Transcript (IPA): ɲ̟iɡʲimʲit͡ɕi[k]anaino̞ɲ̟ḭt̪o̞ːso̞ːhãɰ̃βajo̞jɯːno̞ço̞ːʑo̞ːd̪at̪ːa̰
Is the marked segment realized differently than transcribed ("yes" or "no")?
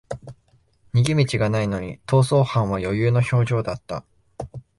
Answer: yes